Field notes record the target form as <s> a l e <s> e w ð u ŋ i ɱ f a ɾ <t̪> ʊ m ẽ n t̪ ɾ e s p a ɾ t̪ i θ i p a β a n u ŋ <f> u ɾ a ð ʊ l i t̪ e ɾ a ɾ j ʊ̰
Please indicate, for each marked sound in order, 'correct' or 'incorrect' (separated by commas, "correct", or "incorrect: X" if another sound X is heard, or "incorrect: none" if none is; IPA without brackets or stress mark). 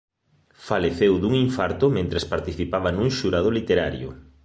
incorrect: f, incorrect: θ, correct, incorrect: ʃ